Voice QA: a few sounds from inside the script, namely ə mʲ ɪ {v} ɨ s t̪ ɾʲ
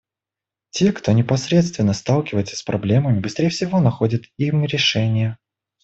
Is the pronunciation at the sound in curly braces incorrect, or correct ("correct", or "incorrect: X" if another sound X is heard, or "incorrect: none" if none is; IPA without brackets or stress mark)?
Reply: incorrect: b